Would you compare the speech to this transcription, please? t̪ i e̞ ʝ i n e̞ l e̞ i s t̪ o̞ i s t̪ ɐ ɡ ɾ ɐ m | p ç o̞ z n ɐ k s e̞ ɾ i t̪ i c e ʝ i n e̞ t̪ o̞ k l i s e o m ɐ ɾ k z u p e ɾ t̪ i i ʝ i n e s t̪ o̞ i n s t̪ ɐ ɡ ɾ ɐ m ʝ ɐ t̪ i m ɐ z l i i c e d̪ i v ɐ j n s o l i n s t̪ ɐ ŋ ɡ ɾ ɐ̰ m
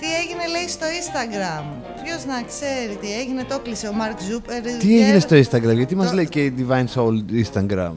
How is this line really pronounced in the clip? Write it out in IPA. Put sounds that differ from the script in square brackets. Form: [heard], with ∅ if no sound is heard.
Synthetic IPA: t̪ i e̞ ʝ i n e̞ l e̞ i s t̪ o̞ i s t̪ ɐ ɡ ɾ ɐ m | p ç o̞ z n ɐ k s e̞ ɾ i t̪ i [∅] e ʝ i n e̞ t̪ o̞ k l i s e o m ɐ ɾ k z u p e ɾ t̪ i [e] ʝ i n e s t̪ o̞ i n s t̪ ɐ ɡ ɾ ɐ m ʝ ɐ t̪ i m ɐ z l [e] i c e d̪ i v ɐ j n s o l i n s t̪ ɐ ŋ ɡ ɾ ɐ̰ m